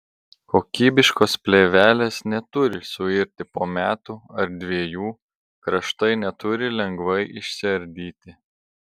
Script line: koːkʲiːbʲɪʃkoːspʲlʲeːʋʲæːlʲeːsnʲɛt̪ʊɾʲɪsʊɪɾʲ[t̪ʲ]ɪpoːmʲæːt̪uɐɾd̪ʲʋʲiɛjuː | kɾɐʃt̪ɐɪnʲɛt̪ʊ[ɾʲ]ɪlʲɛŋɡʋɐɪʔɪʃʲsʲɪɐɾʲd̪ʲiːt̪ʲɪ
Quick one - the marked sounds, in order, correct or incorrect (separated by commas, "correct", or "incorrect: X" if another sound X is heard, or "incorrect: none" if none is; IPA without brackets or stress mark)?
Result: correct, correct